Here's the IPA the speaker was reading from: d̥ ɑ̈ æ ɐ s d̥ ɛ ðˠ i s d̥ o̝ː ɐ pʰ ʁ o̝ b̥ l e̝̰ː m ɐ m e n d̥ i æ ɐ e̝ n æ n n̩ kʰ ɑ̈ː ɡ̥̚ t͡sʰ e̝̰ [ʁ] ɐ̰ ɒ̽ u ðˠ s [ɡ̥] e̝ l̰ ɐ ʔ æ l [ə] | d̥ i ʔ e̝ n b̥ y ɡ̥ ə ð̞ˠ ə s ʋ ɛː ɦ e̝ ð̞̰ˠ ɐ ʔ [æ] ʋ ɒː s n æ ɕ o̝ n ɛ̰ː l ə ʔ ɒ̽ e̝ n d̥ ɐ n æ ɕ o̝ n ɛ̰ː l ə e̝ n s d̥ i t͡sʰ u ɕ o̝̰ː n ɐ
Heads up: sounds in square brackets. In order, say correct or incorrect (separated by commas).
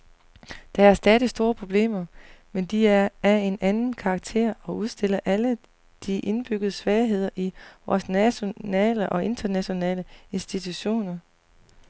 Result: incorrect, incorrect, correct, incorrect